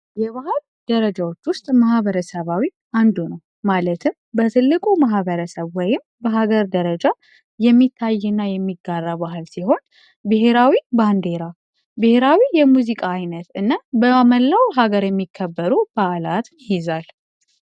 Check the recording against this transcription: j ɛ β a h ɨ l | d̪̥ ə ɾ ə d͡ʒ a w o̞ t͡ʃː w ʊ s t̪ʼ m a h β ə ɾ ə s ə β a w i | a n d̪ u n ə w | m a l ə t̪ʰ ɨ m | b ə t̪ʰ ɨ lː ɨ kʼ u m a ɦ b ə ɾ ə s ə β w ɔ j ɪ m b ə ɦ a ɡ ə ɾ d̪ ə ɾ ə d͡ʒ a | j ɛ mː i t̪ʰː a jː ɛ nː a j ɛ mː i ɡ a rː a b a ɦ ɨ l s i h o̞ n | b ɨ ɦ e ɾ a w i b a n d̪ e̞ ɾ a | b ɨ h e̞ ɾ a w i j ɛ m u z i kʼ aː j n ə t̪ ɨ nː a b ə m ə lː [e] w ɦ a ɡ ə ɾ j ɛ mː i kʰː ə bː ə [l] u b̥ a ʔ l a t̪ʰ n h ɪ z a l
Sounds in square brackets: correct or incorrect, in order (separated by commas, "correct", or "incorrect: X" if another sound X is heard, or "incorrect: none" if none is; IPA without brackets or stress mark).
incorrect: a, incorrect: ɾ